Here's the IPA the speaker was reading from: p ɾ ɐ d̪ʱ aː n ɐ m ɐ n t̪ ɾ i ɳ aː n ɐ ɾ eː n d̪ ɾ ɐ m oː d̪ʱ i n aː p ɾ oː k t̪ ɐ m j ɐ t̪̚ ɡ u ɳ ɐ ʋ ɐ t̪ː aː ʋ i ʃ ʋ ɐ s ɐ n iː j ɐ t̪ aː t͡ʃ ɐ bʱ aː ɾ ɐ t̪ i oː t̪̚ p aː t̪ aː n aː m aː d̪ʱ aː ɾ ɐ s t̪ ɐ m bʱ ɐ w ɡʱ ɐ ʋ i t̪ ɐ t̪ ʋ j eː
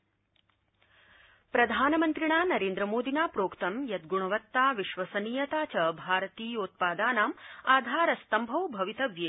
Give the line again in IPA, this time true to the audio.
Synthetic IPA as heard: p ɾ ɐ d̪ʱ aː n ɐ m ɐ n t̪ ɾ i ɳ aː n ɐ ɾ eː n d̪ ɾ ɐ m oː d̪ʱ i n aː p ɾ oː k t̪ ɐ m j ɐ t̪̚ ɡ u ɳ ɐ ʋ ɐ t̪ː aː ʋ i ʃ ʋ ɐ s ɐ n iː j ɐ t̪ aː t͡ʃ ɐ bʱ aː ɾ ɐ t̪ iː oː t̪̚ p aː d̪ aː n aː m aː d̪ʱ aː ɾ ɐ s t̪ ɐ m bʱ ɐ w bʱ ɐ ʋ i t̪ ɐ ʋ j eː